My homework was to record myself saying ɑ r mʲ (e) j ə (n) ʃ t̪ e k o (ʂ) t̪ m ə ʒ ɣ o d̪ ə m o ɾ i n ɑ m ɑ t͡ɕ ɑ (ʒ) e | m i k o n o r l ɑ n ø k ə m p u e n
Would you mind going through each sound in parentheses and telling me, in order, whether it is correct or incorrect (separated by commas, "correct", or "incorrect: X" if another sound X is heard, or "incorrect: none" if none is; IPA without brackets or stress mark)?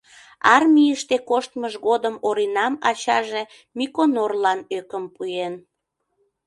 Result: incorrect: i, incorrect: none, incorrect: ʃ, correct